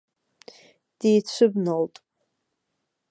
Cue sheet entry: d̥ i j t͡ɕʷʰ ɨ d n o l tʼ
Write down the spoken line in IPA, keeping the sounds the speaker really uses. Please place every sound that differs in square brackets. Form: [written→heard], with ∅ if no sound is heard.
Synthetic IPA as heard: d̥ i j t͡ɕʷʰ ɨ [d→b] n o l tʼ